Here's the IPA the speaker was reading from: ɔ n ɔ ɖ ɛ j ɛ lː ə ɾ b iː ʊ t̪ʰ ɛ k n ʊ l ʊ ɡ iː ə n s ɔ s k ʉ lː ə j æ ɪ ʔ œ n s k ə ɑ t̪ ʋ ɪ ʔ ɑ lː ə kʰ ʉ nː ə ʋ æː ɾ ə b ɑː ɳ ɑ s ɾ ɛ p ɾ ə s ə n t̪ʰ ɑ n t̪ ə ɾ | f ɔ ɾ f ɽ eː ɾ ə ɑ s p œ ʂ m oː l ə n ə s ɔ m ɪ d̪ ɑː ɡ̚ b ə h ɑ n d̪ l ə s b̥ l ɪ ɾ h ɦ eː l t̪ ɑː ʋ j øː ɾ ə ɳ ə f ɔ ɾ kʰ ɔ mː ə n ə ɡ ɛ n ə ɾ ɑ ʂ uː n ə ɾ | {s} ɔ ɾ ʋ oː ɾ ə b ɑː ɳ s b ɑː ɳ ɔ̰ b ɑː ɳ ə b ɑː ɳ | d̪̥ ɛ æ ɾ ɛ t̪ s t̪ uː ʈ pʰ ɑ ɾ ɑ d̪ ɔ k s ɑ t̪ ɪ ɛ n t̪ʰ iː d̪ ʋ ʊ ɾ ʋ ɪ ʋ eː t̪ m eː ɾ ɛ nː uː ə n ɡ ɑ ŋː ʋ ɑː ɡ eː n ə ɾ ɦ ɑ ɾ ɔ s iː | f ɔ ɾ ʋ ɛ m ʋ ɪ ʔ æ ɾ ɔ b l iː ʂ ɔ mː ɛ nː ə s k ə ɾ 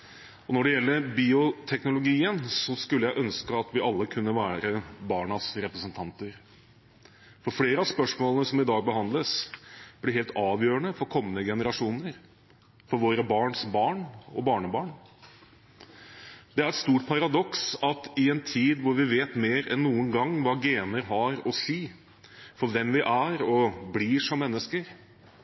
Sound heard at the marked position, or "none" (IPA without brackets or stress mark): f